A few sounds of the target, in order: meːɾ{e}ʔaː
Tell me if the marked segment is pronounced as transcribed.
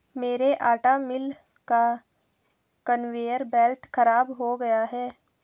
yes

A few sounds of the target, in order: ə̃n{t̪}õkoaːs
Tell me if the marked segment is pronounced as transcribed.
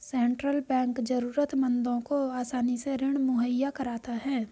no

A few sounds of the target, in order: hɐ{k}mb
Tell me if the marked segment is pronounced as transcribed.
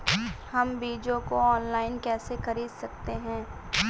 no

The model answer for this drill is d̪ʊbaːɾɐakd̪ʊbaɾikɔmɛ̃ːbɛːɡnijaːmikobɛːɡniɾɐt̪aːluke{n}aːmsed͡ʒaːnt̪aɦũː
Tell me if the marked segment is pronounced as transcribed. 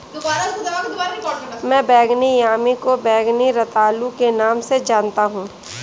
yes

